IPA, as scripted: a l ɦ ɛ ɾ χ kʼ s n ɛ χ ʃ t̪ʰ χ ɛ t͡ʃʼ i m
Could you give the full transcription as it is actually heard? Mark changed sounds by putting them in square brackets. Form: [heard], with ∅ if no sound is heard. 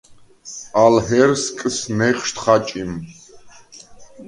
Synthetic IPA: a l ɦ ɛ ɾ [s] kʼ s n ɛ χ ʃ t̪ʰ χ [a] t͡ʃʼ i m